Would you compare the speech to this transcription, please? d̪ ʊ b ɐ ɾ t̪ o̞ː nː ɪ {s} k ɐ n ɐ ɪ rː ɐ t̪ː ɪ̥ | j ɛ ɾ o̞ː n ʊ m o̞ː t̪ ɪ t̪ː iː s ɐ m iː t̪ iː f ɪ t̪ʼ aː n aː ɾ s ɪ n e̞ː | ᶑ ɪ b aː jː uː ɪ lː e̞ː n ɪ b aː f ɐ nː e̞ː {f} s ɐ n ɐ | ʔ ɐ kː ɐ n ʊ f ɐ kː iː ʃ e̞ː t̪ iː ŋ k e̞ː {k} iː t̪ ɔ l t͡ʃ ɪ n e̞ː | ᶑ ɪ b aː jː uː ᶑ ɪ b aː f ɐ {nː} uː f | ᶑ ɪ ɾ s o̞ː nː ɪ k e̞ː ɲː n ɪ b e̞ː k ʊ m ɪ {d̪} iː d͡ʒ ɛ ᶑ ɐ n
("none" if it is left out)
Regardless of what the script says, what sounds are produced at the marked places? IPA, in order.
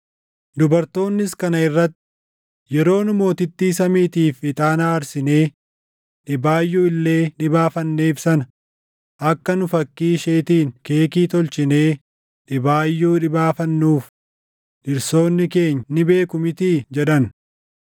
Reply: s, f, k, nː, t̪

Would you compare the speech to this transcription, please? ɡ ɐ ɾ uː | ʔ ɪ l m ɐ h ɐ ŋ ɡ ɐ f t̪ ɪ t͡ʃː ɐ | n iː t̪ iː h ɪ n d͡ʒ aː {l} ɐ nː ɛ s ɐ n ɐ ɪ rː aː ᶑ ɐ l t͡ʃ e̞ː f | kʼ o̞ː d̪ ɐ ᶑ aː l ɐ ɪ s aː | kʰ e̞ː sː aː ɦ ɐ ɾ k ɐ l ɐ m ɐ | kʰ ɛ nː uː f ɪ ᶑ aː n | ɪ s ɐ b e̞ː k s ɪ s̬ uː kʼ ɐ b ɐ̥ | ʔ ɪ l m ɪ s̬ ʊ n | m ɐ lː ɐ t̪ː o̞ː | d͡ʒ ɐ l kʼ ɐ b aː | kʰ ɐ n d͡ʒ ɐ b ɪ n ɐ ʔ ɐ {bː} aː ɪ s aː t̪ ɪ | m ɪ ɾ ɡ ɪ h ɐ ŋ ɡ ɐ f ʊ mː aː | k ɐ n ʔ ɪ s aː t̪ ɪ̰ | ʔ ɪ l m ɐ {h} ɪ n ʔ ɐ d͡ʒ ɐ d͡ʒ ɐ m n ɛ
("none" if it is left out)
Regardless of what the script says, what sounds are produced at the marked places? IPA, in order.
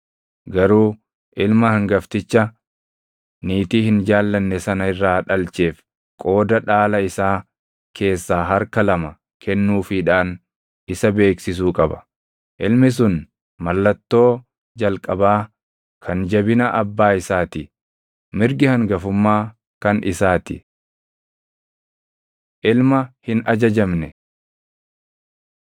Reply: lː, bː, h

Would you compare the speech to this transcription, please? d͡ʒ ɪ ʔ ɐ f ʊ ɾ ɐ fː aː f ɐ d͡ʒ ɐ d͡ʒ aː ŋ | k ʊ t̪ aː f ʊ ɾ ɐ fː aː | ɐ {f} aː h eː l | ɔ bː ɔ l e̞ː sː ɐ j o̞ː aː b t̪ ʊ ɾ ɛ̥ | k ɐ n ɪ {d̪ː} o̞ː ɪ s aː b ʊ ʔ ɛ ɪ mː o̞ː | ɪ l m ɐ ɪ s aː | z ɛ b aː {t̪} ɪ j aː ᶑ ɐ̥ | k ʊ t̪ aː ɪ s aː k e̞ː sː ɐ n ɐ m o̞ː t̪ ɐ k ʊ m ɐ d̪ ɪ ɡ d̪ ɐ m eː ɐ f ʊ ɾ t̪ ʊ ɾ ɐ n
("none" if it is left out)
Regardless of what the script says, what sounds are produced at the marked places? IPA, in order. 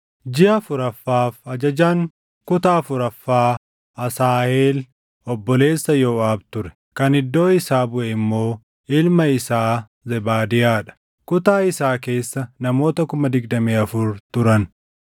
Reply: s, d̪ː, d̪

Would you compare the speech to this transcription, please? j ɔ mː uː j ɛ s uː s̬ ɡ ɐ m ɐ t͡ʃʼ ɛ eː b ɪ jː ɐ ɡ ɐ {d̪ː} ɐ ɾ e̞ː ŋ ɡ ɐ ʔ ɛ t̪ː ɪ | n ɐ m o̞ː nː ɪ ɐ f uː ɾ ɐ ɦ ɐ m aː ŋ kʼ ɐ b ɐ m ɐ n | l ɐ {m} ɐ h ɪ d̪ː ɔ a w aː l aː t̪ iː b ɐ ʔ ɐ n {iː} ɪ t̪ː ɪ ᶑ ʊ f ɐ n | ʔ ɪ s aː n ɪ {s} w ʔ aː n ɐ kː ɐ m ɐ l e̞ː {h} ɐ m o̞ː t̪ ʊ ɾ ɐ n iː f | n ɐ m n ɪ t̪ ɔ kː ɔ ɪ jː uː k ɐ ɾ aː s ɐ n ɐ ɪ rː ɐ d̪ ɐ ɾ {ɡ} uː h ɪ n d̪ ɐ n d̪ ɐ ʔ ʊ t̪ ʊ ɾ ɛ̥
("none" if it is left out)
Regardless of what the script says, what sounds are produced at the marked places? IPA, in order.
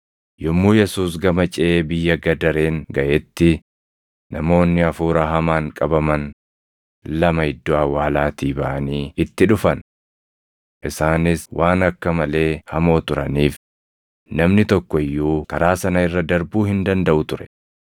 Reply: d̪, m, iː, s, h, b

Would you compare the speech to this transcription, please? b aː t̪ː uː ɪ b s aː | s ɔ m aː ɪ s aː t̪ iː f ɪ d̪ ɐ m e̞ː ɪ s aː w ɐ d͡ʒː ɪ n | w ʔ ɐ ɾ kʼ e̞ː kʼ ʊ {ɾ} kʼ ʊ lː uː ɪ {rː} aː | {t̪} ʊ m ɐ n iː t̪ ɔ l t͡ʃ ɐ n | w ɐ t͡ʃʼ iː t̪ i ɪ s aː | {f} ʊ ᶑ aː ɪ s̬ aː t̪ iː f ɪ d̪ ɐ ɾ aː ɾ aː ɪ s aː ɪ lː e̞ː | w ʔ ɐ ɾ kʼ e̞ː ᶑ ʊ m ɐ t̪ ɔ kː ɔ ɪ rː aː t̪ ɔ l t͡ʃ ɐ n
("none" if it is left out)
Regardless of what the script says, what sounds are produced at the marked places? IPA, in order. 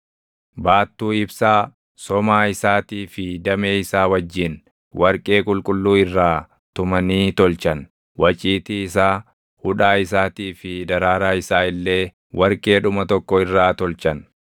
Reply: l, rː, t̪, h

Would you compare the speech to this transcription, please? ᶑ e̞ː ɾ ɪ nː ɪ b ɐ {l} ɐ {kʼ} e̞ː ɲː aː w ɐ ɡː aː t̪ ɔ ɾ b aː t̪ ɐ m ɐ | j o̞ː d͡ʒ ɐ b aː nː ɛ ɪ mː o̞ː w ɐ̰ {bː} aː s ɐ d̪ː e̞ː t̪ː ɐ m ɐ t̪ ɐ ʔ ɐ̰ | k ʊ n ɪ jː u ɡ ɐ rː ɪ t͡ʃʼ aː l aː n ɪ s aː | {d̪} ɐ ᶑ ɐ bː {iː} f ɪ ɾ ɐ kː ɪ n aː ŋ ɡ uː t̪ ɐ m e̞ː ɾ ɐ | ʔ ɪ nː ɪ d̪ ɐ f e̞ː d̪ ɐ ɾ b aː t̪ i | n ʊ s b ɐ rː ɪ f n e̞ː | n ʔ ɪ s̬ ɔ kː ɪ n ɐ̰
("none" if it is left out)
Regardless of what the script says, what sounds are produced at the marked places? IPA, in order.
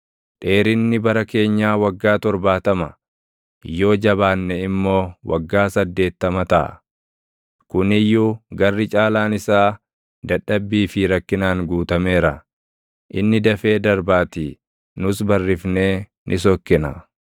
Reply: ɾ, k, ɡː, d̪, iː

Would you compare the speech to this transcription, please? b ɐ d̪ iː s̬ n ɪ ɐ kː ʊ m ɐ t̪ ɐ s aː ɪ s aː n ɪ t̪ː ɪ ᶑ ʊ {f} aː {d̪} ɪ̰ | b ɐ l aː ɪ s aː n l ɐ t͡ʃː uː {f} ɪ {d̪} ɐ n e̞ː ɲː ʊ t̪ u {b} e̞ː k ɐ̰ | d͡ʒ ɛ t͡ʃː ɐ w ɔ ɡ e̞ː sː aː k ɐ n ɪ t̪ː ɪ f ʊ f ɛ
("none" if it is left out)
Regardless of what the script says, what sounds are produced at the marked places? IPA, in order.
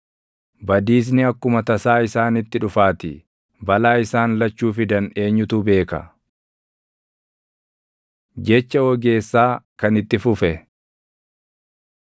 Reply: f, t̪, f, d̪, b

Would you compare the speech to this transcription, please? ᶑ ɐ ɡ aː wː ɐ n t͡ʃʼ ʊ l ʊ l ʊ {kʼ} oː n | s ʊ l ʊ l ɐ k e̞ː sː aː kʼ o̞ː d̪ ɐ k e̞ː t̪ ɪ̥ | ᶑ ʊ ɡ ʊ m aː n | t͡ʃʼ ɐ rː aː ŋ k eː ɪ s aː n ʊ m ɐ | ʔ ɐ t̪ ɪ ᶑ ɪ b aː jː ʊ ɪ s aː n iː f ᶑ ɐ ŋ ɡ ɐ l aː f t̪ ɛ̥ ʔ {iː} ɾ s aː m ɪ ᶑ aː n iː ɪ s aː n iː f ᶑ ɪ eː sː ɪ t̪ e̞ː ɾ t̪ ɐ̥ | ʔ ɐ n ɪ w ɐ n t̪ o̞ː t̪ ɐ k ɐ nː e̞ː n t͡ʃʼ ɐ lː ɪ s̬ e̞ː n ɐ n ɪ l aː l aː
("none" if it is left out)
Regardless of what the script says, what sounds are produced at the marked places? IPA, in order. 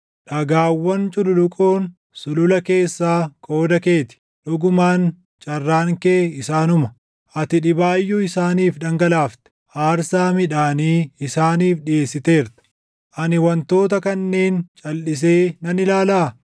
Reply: kʼ, aː

